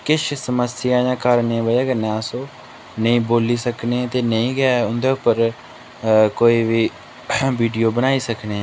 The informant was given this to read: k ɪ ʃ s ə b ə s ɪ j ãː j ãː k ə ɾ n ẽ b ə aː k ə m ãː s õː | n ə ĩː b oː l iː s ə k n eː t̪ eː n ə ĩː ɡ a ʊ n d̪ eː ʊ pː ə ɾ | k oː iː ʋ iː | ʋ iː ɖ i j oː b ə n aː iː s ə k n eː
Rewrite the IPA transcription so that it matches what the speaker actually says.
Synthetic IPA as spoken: k ɪ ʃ s ə m ə s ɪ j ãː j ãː k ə ɾ n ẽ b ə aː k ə n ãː s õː | n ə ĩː b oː l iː s ə k n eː t̪ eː n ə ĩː ɡ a ʊ n d̪ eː ʊ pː ə ɾ | k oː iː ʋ iː | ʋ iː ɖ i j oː b ə n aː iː s ə k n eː

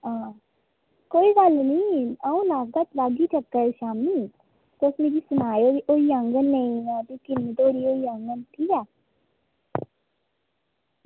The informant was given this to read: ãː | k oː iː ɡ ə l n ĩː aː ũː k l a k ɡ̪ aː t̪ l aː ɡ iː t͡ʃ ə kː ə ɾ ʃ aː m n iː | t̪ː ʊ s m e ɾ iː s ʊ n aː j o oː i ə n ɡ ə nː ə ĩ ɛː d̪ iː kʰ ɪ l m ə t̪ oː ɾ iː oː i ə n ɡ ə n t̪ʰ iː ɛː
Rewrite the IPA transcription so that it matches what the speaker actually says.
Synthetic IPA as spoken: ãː | k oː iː ɡ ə l n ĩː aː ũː l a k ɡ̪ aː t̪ l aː ɡ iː t͡ʃ ə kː ə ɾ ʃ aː m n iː | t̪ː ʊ s m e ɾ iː s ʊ n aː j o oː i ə ŋ ɡ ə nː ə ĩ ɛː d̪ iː k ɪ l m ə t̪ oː ɾ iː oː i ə ŋ ɡ ə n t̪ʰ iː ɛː

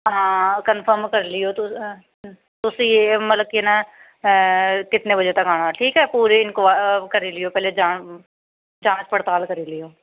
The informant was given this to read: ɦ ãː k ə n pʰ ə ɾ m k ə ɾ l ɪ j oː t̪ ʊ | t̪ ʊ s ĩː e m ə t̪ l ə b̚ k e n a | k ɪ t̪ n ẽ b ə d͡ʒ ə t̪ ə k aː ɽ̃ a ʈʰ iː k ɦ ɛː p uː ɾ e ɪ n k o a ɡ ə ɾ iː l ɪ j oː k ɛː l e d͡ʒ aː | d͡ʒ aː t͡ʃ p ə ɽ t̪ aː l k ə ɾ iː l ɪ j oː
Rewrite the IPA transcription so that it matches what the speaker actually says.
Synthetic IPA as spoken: ɦ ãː k ə n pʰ ə ɾ m k ə ɾ l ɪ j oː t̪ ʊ | t̪ ʊ s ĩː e m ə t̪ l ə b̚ k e n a | k ɪ t̪ n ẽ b ə d͡ʒ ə t̪ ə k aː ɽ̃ a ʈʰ iː k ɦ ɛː p uː ɾ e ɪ n k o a k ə ɾ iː l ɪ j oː p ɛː l e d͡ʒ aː | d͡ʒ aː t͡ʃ p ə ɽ t̪ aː l k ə ɾ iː l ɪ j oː

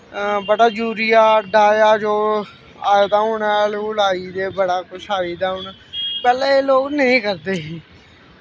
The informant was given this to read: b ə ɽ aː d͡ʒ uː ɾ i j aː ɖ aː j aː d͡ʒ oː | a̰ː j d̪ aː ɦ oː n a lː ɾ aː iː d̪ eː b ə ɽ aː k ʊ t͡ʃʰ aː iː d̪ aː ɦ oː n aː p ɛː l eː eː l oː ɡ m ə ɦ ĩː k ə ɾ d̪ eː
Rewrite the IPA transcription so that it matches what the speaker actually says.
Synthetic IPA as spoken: b ə ɽ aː d͡ʒ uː ɾ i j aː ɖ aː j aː d͡ʒ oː | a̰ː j d̪ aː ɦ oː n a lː l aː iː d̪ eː b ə ɽ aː k ʊ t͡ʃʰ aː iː d̪ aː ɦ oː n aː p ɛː l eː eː l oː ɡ n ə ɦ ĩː k ə ɾ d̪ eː

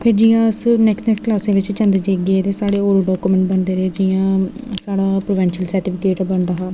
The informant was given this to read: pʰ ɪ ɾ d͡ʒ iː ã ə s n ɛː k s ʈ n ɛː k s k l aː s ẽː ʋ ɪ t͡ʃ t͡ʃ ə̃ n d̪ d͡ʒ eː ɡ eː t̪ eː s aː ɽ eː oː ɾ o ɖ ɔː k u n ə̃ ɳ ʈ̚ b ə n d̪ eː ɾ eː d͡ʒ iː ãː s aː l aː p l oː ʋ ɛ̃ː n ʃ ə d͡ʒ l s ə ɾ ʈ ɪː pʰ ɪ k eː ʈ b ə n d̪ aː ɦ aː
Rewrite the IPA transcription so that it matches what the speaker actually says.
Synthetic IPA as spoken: pʰ ɪ ɾ d͡ʒ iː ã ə s n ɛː k s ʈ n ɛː k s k l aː s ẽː ʋ ɪ t͡ʃ t͡ʃ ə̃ n d̪ d͡ʒ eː ɡ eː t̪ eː s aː ɽ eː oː ɾ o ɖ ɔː k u m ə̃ ɳ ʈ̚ b ə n d̪ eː ɾ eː d͡ʒ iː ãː s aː ɽ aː p ɾ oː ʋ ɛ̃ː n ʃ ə l s ə ɾ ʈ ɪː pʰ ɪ k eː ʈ b ə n d̪ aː ɦ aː

